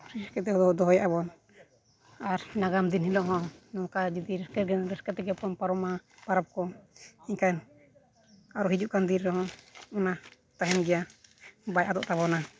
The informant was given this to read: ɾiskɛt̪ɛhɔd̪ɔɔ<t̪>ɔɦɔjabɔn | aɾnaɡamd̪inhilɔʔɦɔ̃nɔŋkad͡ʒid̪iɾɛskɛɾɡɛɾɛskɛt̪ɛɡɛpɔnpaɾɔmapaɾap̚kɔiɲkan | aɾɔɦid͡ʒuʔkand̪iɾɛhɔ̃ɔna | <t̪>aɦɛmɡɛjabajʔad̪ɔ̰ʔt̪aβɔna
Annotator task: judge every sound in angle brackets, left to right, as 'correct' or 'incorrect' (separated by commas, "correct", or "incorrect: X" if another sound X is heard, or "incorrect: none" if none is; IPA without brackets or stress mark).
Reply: incorrect: d̪, correct